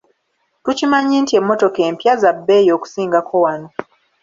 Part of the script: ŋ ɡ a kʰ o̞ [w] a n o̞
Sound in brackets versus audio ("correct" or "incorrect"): correct